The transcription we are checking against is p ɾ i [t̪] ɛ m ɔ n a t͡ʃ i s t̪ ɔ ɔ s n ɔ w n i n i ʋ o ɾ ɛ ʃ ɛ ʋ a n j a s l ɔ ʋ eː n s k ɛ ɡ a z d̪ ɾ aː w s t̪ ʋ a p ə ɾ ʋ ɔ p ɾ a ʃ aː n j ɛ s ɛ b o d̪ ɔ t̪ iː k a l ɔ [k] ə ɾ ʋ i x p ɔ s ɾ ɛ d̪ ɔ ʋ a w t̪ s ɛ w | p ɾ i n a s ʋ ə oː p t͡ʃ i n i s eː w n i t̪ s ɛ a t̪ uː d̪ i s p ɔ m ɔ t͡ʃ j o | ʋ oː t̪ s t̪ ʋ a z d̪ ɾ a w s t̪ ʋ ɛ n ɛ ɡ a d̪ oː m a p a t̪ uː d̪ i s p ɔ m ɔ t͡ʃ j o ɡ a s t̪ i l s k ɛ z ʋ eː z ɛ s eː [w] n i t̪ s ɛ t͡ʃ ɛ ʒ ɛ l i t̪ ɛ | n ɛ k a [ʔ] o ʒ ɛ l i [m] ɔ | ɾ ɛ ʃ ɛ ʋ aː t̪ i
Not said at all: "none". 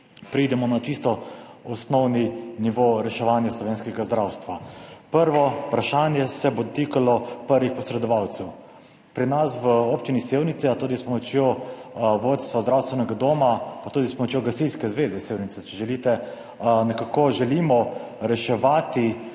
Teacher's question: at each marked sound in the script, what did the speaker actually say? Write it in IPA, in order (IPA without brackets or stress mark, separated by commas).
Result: d̪, p, w, k, m